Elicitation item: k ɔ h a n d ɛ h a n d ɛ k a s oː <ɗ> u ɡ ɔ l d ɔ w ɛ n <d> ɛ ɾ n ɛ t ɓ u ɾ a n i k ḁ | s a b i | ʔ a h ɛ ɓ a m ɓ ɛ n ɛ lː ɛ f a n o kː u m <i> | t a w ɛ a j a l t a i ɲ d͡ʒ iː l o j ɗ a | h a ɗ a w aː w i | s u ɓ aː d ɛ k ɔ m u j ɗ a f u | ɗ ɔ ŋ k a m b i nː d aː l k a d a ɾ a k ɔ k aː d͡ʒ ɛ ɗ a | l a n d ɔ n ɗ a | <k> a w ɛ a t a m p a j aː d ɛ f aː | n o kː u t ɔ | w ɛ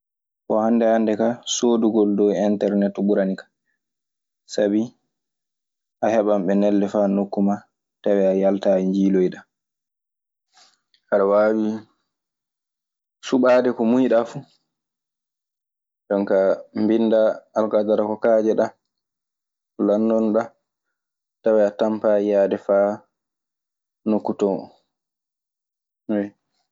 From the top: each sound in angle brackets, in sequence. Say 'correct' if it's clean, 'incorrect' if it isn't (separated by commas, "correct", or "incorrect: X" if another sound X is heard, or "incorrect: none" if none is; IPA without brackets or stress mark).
incorrect: d, incorrect: t, incorrect: a, incorrect: t